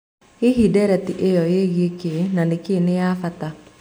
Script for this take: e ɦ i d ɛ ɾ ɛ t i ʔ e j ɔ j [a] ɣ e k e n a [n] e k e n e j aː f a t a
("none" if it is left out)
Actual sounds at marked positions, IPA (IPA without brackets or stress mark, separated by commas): e, n